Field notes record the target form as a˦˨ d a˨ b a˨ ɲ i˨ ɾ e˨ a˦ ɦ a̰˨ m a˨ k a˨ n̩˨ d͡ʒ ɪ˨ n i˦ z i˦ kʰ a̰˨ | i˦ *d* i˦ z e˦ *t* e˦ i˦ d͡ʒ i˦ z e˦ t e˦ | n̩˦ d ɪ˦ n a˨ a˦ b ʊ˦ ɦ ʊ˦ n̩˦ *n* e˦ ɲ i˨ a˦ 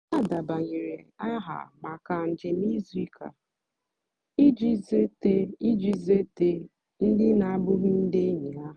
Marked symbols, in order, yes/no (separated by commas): no, yes, no